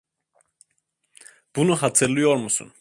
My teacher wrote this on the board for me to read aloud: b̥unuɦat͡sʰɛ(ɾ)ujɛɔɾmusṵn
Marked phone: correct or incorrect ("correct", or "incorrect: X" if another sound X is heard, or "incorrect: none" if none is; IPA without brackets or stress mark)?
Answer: incorrect: l